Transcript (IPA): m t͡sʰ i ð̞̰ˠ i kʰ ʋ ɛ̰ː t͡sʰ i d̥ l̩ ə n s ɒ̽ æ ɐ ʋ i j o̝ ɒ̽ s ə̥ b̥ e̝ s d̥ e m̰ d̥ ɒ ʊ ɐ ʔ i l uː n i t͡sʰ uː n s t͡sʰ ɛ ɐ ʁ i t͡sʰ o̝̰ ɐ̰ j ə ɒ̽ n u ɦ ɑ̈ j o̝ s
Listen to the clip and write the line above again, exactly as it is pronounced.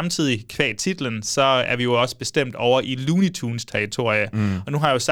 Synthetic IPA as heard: m t͡sʰ i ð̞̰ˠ i kʰ ʋ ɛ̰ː t͡sʰ i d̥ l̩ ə n s ɒ̽ æ ɐ ʋ i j o̝ ɒ̽ s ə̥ b̥ e̝ s d̥ e m̰ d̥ ɒ ʊ ɐ ʔ i l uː n i t͡sʰ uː n s t͡sʰ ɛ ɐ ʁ i t͡sʰ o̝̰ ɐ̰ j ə ɒ̽ n u ɦ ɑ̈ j o̝ s